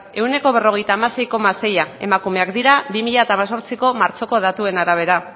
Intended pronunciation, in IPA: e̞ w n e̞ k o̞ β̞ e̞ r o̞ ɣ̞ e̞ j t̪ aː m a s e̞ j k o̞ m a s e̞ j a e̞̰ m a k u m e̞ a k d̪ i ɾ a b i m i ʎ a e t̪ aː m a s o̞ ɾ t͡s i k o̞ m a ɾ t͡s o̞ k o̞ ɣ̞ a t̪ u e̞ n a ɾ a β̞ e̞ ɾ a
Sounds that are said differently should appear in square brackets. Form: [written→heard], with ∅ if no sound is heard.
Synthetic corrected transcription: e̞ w n e̞ k o̞ β̞ e̞ r o̞ ɣ̞ e̞ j t̪ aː m a s e̞ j k o̞ m a s e̞ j a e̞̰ m a k u m e̞ a k d̪ i ɾ a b i m i ʎ a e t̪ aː m a s o̞ ɾ t͡s i k o̞ m a ɾ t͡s o̞ k o̞ [ɣ̞→ð̞] a t̪ u e̞ n a ɾ a β̞ e̞ ɾ a